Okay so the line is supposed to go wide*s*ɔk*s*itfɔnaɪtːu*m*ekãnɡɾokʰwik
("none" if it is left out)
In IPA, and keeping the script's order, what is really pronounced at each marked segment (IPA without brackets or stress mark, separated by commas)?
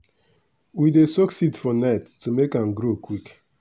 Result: s, s, m